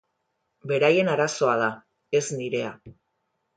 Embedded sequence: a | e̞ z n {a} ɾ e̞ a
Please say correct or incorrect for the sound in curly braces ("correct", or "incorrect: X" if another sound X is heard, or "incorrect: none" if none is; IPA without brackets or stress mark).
incorrect: i